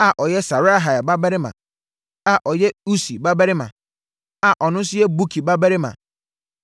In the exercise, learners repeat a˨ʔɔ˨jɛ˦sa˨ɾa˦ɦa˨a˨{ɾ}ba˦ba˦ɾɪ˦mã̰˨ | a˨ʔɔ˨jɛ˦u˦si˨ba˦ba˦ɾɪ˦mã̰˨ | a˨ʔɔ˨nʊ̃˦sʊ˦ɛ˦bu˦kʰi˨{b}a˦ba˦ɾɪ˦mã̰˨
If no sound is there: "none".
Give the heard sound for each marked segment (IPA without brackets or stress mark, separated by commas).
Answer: none, b